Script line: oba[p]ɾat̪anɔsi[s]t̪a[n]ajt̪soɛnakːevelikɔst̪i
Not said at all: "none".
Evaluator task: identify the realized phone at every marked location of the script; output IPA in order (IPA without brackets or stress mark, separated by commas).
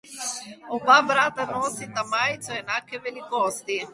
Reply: b, none, m